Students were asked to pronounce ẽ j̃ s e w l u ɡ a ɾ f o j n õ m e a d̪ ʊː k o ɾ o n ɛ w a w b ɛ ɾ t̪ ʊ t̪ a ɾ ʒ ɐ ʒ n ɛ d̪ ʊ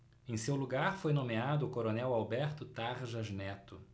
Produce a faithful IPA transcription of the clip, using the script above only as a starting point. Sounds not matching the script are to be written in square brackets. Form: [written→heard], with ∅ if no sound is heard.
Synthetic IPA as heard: ẽ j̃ s e w l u ɡ a ɾ f o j n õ m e a d̪ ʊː k o ɾ o n ɛ w a w b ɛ ɾ t̪ ʊ t̪ a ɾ ʒ ɐ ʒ n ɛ [d̪→t̪] ʊ